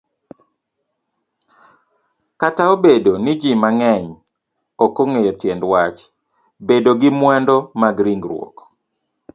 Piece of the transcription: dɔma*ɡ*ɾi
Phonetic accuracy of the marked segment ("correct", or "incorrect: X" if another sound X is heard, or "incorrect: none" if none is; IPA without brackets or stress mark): correct